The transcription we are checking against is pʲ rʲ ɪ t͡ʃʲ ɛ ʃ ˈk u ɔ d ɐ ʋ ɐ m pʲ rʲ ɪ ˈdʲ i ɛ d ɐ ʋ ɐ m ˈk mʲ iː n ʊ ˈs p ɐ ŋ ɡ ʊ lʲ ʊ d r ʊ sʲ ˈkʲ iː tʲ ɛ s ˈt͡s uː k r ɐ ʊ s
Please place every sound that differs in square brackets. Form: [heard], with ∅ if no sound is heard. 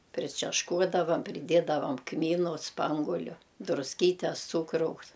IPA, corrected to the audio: pʲ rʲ ɪ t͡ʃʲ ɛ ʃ ˈk u ɔ d ɐ ʋ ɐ m pʲ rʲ ɪ ˈdʲ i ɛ d ɐ ʋ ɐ m ˈk mʲ iː n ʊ ˈs p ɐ ŋ ɡ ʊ lʲ ʊ d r ʊ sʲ ˈkʲ iː tʲ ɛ s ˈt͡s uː k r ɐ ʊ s